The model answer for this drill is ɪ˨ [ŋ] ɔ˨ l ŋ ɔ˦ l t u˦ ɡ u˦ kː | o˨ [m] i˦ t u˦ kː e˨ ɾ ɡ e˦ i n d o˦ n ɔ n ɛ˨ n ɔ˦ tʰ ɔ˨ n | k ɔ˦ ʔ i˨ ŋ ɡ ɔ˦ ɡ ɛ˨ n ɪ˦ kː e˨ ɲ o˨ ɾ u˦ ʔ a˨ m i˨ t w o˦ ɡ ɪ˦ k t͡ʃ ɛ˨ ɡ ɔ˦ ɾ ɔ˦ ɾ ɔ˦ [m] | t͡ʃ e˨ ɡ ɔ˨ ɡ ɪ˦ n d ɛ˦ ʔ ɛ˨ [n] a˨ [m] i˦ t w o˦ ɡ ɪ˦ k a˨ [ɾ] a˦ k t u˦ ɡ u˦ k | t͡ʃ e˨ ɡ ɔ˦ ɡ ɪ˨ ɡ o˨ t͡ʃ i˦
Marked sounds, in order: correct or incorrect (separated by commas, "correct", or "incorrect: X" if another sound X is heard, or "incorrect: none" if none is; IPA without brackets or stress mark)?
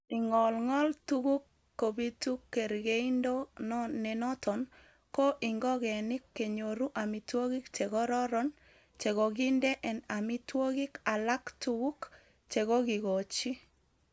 correct, incorrect: b, incorrect: n, correct, correct, incorrect: l